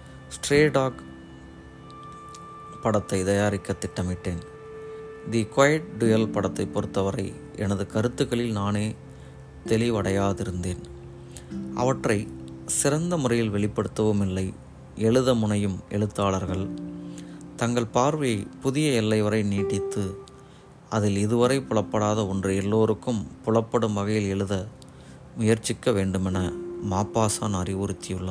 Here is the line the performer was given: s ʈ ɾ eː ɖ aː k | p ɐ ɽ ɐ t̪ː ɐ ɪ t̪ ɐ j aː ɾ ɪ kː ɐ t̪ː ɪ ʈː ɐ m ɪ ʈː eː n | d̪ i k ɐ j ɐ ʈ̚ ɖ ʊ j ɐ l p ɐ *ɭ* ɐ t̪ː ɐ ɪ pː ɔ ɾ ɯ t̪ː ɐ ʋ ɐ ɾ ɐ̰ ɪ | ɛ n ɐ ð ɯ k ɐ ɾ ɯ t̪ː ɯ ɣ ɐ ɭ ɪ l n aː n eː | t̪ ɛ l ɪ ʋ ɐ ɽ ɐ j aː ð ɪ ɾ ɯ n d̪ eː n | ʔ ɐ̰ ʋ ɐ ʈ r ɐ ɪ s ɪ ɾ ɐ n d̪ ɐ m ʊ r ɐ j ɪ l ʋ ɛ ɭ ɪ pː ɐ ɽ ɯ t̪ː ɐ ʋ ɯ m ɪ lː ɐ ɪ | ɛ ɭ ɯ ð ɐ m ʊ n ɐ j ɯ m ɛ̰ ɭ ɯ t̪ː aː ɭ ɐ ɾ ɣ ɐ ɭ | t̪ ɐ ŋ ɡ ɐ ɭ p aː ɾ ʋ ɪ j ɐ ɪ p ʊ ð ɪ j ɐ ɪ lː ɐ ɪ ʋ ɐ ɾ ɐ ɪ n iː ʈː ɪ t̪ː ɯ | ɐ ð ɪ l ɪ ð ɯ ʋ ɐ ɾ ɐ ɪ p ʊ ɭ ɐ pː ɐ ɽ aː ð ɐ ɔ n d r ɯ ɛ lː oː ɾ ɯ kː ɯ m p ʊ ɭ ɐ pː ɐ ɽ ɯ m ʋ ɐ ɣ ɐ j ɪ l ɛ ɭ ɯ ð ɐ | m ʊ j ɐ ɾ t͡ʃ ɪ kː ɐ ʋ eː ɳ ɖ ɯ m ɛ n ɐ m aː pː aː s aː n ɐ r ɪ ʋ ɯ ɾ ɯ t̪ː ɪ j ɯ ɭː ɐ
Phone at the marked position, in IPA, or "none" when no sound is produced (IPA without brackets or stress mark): ɽ